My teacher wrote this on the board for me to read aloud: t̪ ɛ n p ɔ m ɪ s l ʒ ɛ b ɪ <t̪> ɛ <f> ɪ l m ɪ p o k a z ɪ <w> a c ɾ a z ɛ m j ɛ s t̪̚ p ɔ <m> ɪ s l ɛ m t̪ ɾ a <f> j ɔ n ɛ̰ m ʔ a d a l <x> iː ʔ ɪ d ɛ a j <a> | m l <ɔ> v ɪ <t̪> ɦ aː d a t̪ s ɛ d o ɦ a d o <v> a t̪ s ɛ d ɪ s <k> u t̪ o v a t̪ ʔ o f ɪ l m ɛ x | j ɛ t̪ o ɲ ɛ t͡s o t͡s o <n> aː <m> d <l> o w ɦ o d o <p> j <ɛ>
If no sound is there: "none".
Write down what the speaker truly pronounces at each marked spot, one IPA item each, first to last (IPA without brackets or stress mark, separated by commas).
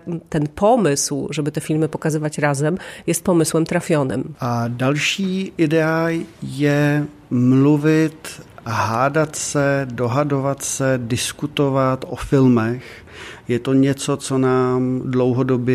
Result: t̪, f, v, m, f, ʃ, ɛ, u, t̪, v, k, n, m, l, b, ɛ